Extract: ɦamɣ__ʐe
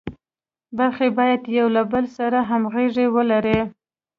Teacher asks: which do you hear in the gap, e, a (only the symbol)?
e